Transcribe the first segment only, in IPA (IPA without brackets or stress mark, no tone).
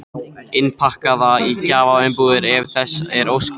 ɪ